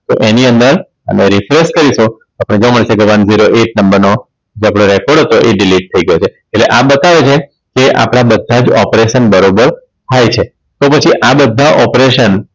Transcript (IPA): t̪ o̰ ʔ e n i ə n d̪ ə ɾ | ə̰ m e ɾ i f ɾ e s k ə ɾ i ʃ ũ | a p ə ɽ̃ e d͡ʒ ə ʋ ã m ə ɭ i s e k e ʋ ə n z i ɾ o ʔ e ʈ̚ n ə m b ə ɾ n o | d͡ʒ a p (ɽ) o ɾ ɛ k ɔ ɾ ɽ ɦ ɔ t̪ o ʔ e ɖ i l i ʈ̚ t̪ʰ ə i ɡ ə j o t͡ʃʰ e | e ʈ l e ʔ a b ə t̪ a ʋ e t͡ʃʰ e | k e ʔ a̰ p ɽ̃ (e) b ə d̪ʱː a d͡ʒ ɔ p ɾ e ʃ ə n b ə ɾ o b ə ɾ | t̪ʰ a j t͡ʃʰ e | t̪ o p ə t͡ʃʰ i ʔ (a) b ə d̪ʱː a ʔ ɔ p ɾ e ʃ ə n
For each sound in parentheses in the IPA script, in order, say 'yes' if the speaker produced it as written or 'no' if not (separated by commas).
yes, no, yes